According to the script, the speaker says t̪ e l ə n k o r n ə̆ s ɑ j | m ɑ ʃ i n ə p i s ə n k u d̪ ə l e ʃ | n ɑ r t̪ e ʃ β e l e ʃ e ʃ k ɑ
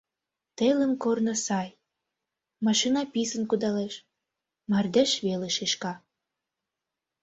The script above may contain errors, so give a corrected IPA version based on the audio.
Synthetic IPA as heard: t̪ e l ə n k o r n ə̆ s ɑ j | m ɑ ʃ i n ɑ p i s ə n k u d̪ ɑ l e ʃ | m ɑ r d̪ e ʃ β e l e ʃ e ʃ k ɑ